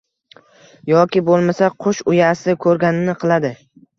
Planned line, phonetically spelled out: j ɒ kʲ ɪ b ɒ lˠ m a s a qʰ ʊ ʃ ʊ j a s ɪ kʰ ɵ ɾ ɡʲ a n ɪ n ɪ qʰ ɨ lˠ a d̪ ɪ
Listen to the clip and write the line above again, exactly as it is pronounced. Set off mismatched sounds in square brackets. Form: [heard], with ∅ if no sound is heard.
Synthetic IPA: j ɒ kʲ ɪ b [o] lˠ m a s a qʰ ʊ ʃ ʊ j a s ɪ kʰ ɵ ɾ ɡʲ a n ɪ n ɪ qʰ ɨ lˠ a d̪ ɪ